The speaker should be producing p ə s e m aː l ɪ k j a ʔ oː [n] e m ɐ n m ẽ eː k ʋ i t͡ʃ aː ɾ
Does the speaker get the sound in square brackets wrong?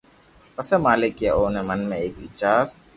no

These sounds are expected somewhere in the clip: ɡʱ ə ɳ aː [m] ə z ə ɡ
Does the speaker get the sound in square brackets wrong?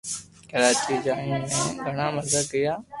no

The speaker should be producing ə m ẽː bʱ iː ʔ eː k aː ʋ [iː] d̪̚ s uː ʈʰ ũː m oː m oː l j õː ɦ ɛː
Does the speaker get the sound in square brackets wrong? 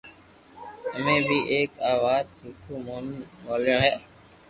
yes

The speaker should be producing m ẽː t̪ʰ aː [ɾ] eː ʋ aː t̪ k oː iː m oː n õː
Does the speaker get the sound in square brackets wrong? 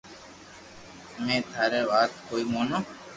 no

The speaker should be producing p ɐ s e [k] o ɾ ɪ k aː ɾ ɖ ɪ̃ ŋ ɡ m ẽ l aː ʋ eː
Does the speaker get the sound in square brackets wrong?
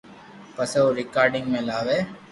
yes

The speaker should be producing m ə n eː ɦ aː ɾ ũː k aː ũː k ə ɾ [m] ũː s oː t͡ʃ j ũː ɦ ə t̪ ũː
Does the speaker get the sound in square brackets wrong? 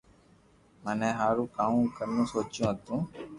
yes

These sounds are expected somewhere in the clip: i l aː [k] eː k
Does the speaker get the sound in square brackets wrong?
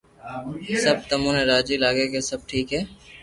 yes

